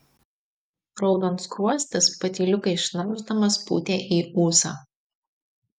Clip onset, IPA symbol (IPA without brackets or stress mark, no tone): ɾ